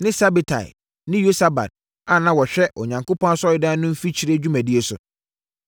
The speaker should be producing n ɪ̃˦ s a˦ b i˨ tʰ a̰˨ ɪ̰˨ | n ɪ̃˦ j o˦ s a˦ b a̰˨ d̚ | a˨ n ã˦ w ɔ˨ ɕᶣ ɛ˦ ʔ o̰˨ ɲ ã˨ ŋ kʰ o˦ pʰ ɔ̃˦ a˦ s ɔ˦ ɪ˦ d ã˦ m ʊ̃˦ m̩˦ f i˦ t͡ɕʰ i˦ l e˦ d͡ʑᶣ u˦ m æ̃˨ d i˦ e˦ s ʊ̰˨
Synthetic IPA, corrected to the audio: n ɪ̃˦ s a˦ b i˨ tʰ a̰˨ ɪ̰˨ | n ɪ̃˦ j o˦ s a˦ b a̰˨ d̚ | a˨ n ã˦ w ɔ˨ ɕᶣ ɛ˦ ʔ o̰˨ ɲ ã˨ ŋ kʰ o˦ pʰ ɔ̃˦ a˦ s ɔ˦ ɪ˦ d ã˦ n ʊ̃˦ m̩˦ f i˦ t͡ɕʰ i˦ ɾ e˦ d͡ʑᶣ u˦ m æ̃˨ d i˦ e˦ s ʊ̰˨